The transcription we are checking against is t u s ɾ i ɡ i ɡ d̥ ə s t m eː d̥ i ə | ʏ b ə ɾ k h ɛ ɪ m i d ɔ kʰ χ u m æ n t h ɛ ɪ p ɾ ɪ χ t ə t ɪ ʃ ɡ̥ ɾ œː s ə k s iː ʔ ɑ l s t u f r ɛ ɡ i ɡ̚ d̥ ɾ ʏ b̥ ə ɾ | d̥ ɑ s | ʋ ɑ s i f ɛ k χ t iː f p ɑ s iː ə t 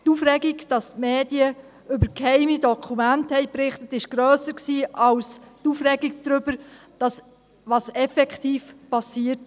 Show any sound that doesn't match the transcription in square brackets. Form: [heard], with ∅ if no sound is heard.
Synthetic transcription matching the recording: t u [f] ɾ [ɛ] ɡ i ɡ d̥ [ɑ] s t m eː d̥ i ə | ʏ b ə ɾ k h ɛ ɪ m i d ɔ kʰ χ u m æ n t h ɛ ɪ p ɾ ɪ χ t ə t ɪ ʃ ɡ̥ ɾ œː s ə k s iː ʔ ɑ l s t u f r ɛ ɡ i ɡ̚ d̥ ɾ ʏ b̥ ə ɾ | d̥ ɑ s | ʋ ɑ s [ɛ] f ɛ k χ t iː f p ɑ s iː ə t